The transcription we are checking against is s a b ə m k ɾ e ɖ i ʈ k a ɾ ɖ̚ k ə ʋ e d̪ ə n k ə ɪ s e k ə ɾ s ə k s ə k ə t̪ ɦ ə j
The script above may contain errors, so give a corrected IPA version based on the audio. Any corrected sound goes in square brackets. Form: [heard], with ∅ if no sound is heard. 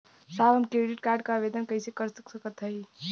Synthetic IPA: s a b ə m k ɾ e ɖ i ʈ k a ɾ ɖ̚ k [a] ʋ e d̪ ə n k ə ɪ s e k ə ɾ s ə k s ə k ə t̪ ɦ ə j

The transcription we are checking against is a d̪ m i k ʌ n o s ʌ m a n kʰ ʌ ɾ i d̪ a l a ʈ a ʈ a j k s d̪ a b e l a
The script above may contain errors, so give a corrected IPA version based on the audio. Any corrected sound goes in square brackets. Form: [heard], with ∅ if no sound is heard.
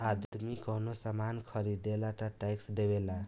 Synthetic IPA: a d̪ m i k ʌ n o s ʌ m a n kʰ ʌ ɾ i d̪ [e] l a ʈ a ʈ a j k s d̪ [e] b e l a

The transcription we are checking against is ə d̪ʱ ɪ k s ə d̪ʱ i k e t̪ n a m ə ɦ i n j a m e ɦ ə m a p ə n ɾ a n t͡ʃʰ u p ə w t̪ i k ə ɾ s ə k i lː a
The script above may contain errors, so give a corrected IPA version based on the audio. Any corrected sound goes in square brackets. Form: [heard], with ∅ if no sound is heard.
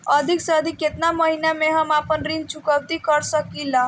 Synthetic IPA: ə d̪ʱ [i] k s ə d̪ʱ i k e t̪ n a m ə ɦ i n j a m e ɦ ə m a p ə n ɾ [i] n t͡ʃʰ u [k] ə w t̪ i k ə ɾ s ə k i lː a

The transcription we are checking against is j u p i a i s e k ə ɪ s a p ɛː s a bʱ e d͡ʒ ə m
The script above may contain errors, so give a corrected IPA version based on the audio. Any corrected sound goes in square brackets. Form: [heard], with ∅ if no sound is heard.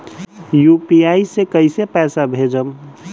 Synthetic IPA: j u p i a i s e k ə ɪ s [e] p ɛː s a bʱ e d͡ʒ ə m

